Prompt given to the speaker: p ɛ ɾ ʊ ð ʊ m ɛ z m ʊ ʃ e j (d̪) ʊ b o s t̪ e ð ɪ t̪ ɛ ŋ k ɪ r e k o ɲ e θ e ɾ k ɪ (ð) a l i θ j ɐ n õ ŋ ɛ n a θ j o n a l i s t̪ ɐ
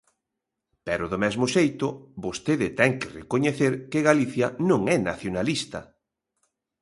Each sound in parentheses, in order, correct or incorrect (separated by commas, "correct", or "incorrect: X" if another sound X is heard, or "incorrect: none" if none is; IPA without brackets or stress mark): incorrect: t̪, incorrect: ɣ